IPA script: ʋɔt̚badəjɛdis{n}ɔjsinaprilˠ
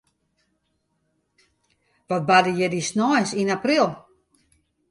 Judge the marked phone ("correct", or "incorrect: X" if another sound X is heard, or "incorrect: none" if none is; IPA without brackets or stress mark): correct